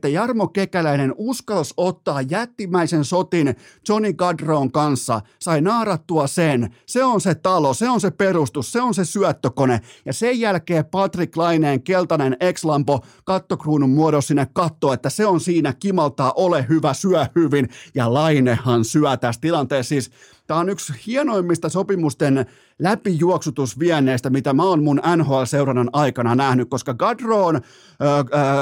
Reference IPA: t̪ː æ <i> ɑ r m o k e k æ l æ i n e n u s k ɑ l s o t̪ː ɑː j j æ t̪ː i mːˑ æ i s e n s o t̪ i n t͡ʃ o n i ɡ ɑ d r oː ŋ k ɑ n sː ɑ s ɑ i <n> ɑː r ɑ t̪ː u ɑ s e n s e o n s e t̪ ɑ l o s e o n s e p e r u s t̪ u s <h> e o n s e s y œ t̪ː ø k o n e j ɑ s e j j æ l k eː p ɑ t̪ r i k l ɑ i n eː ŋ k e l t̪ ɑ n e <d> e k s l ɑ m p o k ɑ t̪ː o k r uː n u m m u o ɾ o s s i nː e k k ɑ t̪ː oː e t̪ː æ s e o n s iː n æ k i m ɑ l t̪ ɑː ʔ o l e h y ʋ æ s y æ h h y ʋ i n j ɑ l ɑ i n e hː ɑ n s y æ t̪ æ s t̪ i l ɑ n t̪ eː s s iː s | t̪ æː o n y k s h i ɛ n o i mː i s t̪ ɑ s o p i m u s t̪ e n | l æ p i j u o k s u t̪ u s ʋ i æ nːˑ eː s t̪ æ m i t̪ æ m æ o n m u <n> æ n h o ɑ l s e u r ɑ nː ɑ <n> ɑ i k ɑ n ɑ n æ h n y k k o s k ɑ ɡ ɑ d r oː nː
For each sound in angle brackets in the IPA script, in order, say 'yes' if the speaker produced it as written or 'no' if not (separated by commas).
no, yes, no, no, yes, yes